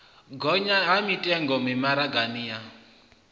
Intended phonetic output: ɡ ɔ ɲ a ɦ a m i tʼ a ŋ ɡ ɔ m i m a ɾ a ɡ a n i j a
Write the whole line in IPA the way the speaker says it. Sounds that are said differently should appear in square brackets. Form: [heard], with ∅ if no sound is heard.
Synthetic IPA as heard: ɡ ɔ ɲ a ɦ a m i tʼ [ɛ] ŋ ɡ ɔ m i m a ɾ a ɡ a n i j a

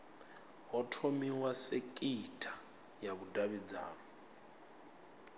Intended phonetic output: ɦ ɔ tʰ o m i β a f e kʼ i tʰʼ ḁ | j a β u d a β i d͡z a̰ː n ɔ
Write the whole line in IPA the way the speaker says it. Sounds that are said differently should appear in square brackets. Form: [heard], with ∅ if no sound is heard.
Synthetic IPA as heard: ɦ ɔ tʰ o m i [w] a [s] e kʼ i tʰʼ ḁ | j a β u d a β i d͡z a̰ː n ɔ

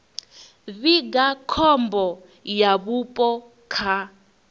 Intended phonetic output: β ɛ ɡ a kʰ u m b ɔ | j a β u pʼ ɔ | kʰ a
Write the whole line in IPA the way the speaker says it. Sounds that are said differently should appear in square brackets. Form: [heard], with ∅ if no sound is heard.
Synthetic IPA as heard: β [i] ɡ a kʰ [ɔ] m b ɔ | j a β u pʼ ɔ | kʰ a

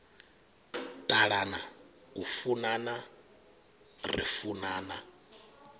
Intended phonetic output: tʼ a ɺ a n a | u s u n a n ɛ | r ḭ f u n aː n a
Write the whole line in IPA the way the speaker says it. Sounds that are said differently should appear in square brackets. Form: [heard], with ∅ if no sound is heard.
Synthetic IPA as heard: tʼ a ɺ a n a | u [f] u n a n [a] | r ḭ f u n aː n a

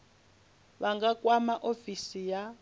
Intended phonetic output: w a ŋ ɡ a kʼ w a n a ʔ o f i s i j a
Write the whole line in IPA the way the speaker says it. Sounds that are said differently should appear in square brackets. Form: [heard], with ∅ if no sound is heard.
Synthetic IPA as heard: [β] a ŋ ɡ a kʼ w a [m] a ʔ o f i s i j a

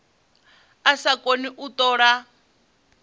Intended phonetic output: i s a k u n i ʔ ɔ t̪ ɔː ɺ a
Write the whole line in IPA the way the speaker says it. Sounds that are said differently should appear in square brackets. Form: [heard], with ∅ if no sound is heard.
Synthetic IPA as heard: [a] s a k [o] n i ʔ [u] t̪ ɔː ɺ a

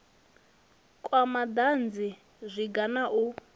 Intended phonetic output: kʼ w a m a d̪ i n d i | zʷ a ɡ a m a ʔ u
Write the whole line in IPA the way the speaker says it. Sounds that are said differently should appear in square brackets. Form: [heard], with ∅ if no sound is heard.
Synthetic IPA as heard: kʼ w a m a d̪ [a] n [d͡z] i | zʷ [i] ɡ a [n] a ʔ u

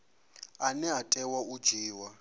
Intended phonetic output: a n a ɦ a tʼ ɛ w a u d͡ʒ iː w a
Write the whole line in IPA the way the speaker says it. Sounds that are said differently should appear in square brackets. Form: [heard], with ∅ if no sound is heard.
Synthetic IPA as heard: a n [ɛ] ɦ a tʼ ɛ w a u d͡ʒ iː w a

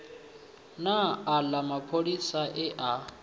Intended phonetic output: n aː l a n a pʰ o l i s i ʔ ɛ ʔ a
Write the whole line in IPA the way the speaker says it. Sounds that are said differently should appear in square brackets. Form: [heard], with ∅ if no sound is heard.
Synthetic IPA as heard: n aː l a [m] a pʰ o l i s [a] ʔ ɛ ʔ a

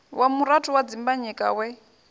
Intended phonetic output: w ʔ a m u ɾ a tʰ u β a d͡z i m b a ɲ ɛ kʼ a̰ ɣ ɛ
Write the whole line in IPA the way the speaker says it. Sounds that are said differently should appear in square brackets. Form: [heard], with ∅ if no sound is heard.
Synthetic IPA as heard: w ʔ a m u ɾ a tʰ u [w] a d͡z i m b a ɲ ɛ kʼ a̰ [w] ɛ

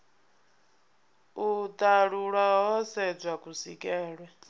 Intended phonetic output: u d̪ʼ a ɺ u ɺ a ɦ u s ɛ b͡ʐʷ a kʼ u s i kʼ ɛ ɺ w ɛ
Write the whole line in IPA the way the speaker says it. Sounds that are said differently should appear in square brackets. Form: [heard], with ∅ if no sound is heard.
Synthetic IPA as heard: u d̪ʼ a ɺ u ɺ a ɦ [ɔ] s ɛ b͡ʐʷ a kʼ u s i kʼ [ɛː] ɺ w ɛ

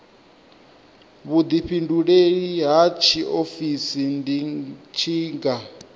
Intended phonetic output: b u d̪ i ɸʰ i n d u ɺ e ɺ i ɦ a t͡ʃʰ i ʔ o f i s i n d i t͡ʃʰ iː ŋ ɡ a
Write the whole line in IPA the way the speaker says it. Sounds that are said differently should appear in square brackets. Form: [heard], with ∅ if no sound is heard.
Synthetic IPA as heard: [β] u d̪ i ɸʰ i n d u ɺ e ɺ i ɦ a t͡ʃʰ i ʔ o f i s i n d i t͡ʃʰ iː ŋ ɡ a

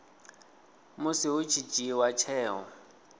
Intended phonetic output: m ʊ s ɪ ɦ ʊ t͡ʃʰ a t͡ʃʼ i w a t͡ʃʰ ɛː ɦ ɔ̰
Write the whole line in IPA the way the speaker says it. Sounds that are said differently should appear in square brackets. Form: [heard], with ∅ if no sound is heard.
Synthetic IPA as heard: m ʊ s ɪ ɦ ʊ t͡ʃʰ [i] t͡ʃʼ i w a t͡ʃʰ ɛː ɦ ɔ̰

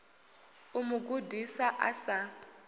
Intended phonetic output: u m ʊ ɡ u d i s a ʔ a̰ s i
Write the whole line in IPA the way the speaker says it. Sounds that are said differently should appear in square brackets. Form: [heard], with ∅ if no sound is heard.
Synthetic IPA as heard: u m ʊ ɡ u d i s a ʔ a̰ s [a]

